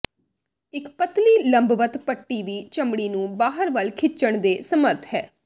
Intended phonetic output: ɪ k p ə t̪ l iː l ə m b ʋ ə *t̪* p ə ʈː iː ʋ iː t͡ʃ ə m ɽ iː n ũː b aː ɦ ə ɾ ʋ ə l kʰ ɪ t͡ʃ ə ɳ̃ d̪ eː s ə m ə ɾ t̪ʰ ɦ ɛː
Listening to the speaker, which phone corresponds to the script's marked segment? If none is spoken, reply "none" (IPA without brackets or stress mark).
t̪